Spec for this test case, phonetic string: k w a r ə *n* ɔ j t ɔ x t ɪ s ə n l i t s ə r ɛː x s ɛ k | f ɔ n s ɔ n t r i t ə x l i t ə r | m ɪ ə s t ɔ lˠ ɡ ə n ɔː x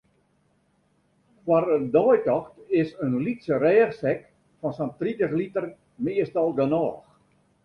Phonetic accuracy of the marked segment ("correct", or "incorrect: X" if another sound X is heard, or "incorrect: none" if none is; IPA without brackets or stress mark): incorrect: d